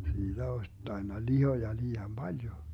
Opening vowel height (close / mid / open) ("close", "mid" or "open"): close